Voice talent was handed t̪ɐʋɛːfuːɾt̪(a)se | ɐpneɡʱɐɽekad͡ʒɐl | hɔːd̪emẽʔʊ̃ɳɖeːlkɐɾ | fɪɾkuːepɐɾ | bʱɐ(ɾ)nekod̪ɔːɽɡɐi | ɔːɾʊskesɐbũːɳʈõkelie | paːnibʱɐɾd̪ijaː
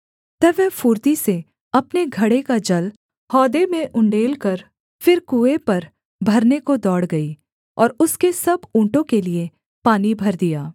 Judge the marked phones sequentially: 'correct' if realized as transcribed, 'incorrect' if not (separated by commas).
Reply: incorrect, correct